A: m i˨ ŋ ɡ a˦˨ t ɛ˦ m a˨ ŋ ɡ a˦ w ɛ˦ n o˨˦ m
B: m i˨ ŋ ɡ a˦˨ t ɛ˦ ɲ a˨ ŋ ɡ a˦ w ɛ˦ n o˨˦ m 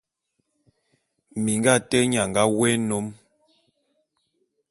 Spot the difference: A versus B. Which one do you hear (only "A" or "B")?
B